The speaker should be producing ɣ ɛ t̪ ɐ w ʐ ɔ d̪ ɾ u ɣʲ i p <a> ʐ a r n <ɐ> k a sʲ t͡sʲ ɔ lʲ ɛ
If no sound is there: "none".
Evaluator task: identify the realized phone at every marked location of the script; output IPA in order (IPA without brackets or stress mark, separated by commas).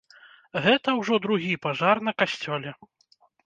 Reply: a, ɐ